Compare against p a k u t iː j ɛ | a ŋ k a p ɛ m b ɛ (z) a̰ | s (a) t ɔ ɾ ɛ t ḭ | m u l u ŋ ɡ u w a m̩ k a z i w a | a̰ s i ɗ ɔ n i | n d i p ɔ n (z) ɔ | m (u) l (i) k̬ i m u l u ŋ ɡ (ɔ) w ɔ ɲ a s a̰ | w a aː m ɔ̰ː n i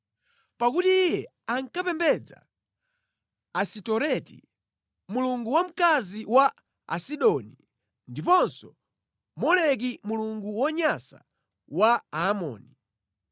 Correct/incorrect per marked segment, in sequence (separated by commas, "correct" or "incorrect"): incorrect, incorrect, incorrect, incorrect, incorrect, incorrect